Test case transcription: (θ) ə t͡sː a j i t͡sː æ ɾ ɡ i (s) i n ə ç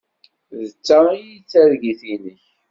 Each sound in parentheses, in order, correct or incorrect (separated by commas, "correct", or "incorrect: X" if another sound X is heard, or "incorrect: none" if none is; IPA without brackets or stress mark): incorrect: ð, incorrect: θ